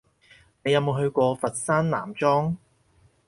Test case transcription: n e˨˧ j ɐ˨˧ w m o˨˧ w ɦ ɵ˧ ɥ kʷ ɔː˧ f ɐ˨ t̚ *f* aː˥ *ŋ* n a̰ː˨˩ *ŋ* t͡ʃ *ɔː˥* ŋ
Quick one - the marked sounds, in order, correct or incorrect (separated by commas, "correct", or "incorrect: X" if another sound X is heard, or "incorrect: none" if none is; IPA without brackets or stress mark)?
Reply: incorrect: s, incorrect: n, incorrect: m, correct